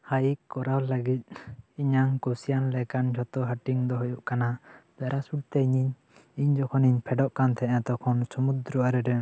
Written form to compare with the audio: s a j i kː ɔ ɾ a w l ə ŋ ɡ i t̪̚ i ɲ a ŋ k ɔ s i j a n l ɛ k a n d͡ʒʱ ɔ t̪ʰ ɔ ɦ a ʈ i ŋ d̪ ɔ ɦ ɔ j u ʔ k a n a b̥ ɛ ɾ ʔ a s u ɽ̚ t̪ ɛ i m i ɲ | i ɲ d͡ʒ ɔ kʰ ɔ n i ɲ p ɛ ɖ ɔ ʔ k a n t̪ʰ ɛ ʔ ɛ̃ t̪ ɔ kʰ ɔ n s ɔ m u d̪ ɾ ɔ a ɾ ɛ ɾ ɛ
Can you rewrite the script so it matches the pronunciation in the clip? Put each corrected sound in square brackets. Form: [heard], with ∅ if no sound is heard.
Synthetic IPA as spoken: [h] a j i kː ɔ ɾ a w l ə [∅] ɡ i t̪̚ i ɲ a ŋ k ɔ s i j a n l ɛ k a n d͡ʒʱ ɔ [t̪] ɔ ɦ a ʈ i ŋ d̪ ɔ ɦ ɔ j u ʔ k a n a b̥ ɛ ɾ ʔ a s u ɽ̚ t̪ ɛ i [ɲ] i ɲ | i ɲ d͡ʒ ɔ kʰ ɔ n i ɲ [pʰ] ɛ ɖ ɔ ʔ k a n t̪ʰ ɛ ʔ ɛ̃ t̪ ɔ kʰ ɔ n s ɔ m u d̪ ɾ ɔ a ɾ ɛ ɾ ɛ